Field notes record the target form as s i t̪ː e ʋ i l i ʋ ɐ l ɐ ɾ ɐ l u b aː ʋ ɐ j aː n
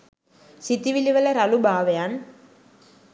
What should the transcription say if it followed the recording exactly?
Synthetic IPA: s i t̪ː i ʋ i l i ʋ ɐ l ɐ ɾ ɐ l u b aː ʋ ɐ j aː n